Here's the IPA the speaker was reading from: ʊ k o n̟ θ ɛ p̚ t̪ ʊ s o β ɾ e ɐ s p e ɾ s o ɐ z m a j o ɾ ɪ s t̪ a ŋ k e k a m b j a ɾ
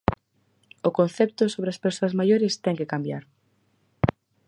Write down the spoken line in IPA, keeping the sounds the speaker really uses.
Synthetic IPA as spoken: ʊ k o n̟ θ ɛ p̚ t̪ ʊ s o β ɾ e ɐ s p e ɾ s o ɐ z m a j o ɾ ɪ s t̪ ɛ ŋ k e k a m b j a ɾ